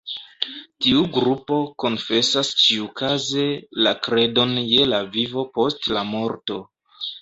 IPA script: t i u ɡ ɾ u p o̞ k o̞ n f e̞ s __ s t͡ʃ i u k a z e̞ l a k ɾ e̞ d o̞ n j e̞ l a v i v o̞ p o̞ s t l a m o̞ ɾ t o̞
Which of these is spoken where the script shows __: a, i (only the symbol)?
a